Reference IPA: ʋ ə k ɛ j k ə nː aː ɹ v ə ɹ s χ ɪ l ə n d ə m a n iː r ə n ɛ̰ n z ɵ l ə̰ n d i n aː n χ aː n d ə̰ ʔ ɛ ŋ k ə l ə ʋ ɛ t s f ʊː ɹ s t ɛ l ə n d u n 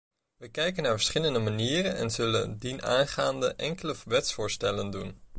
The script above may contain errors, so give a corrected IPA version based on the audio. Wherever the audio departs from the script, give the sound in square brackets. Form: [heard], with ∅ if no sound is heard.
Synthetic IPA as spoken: ʋ ə k ɛ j k ə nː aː ɹ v ə ɹ s χ ɪ l ə n d ə m a n iː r ə n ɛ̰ n z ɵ l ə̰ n d i n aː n χ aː n d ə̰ ʔ ɛ ŋ k ə l ə ʋ ɛ t s f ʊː ɹ s t ɛ l ə n d u n